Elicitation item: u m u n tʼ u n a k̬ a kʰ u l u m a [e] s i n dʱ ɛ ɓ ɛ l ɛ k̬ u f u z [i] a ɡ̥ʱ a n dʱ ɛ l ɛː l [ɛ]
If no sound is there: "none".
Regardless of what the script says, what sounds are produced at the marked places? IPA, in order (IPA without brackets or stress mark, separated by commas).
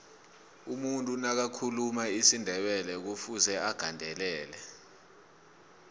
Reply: i, ɛ, ɛ